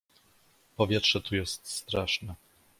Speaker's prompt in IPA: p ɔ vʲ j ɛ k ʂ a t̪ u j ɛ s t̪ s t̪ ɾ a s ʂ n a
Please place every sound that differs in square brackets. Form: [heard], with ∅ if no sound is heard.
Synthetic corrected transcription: p ɔ vʲ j ɛ [t] ʂ [ɛ] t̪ u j ɛ s t̪ s t̪ ɾ a [∅] ʂ n [ɛ]